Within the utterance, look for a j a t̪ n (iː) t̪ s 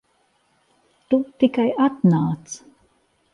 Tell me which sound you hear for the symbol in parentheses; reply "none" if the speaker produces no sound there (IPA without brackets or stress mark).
aː